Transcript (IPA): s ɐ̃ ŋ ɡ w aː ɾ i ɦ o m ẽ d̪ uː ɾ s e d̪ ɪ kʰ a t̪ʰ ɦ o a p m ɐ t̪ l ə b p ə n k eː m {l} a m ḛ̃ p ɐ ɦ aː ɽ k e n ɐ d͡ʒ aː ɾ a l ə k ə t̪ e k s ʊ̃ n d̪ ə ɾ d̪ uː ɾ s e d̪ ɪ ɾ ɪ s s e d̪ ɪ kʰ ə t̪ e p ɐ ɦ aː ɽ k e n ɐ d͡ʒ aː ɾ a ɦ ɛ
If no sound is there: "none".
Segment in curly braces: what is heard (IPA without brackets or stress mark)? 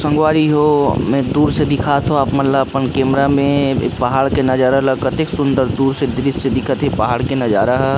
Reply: ɾ